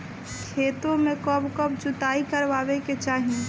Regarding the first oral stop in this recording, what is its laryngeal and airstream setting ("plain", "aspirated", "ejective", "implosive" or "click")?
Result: aspirated